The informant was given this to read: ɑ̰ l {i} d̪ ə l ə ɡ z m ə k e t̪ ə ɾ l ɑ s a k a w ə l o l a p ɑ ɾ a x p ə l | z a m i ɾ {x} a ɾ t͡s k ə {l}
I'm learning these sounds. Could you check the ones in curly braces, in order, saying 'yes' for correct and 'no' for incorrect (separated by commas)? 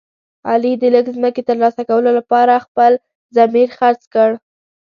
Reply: yes, yes, no